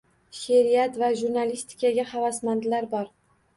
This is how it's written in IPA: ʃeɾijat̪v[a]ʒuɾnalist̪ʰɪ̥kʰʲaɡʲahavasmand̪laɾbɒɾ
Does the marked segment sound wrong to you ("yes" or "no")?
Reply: no